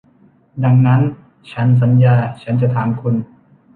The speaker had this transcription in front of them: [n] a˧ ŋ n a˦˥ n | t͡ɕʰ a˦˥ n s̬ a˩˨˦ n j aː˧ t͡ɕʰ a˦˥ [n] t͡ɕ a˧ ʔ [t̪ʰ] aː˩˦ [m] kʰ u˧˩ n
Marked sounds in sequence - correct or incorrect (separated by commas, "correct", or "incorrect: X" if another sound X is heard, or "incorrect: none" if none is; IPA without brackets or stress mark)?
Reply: incorrect: d, correct, correct, correct